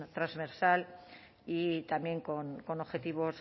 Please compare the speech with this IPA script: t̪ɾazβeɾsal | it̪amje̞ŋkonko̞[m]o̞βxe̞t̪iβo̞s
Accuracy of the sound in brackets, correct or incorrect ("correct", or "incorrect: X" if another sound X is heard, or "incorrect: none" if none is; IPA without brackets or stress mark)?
incorrect: n